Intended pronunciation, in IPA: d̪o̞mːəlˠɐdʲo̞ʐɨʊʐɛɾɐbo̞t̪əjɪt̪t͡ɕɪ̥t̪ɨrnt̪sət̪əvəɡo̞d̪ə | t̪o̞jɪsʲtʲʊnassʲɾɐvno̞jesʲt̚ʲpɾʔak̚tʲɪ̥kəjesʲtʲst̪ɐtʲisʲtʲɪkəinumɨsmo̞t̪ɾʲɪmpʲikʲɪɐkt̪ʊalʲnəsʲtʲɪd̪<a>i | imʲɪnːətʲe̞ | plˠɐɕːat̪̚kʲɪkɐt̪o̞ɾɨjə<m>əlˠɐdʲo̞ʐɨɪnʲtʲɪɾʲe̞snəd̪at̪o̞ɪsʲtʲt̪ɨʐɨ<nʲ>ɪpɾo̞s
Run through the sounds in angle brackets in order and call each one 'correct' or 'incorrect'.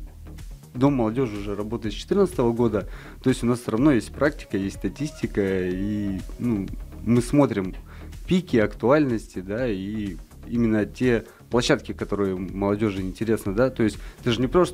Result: correct, correct, correct

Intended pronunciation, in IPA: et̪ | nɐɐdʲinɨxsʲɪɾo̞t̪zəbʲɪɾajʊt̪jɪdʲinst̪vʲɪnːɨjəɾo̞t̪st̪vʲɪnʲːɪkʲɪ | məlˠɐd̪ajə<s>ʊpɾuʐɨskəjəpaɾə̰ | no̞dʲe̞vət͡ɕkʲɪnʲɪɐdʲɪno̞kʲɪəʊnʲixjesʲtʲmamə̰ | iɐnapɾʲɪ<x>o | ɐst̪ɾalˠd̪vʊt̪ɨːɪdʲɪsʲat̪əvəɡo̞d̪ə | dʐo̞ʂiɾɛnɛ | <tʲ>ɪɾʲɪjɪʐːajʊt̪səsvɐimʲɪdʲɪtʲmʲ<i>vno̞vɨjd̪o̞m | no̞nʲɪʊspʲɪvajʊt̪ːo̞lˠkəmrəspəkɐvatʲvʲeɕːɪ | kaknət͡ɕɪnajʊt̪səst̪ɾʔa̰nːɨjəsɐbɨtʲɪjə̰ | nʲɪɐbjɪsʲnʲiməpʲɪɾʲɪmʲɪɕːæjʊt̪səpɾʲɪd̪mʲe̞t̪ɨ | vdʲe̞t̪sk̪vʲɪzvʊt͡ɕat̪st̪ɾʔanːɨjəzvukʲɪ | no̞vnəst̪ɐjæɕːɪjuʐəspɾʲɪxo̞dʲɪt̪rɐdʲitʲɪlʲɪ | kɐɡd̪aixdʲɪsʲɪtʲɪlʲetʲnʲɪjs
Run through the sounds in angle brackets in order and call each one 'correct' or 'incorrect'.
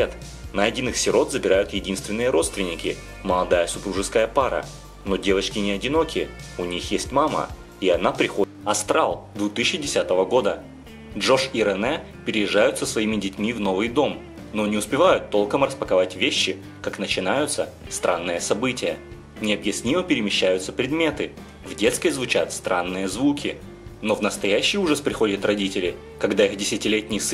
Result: correct, correct, incorrect, correct

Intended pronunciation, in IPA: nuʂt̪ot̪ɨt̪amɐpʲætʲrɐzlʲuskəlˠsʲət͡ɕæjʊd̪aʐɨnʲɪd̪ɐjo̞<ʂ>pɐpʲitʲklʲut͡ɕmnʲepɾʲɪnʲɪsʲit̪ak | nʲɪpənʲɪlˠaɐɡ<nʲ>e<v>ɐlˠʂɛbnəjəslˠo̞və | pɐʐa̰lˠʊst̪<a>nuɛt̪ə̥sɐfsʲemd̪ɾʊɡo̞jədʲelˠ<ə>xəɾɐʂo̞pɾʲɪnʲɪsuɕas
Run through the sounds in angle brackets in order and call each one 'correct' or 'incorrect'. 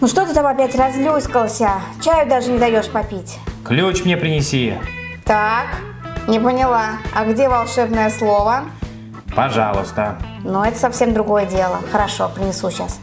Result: correct, incorrect, correct, incorrect, correct

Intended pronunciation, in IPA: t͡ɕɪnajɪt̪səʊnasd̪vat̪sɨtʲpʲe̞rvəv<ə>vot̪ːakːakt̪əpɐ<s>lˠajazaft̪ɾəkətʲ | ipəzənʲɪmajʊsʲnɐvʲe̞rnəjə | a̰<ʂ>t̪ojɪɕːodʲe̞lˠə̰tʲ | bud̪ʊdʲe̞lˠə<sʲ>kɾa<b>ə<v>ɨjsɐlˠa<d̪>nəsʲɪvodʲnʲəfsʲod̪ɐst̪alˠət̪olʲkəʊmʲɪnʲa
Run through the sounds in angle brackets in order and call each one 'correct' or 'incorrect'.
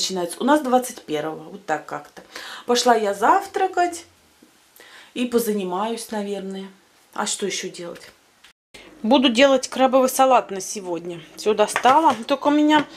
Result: correct, incorrect, correct, incorrect, correct, correct, incorrect

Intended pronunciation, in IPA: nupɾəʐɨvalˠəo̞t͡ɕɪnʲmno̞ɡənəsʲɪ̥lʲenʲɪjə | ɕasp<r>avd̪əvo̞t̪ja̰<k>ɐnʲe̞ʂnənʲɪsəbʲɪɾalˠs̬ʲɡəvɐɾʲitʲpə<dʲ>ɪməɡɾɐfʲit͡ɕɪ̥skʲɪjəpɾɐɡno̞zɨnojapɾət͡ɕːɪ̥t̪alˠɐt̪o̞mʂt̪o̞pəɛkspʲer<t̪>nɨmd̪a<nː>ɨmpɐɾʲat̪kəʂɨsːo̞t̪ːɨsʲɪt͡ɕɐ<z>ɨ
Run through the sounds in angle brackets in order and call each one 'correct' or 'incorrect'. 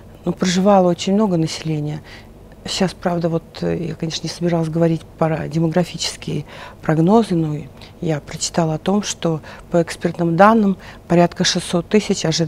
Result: incorrect, correct, correct, correct, correct, incorrect

